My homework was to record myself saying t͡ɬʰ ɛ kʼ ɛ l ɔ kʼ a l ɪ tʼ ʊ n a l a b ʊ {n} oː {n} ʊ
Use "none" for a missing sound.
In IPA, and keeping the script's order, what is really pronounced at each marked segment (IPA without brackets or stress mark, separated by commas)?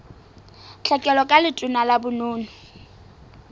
n, n